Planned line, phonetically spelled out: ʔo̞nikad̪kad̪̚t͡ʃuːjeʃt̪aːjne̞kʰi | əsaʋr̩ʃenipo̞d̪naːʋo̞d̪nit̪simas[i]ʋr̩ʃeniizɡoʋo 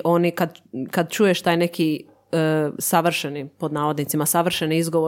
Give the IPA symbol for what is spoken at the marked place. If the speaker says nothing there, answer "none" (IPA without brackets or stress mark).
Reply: a